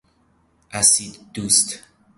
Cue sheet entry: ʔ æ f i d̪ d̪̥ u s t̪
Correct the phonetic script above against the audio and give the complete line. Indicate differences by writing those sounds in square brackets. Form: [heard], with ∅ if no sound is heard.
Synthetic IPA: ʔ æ [s] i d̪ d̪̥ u s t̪